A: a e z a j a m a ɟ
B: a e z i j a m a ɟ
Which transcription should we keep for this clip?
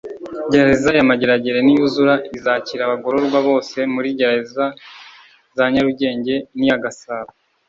A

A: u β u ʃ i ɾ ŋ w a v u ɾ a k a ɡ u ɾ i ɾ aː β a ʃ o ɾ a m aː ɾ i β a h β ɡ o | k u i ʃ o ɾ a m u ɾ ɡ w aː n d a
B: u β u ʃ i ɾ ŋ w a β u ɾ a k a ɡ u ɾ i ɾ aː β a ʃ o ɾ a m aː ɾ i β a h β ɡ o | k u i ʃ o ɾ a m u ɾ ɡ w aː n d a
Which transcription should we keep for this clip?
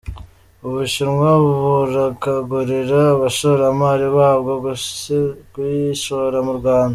B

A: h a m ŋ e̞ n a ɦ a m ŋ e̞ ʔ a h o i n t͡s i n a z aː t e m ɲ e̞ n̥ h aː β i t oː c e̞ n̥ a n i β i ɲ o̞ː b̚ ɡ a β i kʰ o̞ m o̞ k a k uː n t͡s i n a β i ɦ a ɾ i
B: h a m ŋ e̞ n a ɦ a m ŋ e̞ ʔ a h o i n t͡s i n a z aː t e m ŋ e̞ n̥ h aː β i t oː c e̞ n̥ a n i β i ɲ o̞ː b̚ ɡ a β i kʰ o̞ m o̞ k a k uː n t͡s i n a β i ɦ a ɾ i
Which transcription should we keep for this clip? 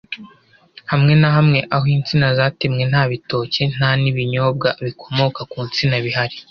B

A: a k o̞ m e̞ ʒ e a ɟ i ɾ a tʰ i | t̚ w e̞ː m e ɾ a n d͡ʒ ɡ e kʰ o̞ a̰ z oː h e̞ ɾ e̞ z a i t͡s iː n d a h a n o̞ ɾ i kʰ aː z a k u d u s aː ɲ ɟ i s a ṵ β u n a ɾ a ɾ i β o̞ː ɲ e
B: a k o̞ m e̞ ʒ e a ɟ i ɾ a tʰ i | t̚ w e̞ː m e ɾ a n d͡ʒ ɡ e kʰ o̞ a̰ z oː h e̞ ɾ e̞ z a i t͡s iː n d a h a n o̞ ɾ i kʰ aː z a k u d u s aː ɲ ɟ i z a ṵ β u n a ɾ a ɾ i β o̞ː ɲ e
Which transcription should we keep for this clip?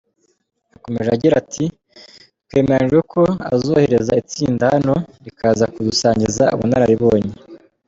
B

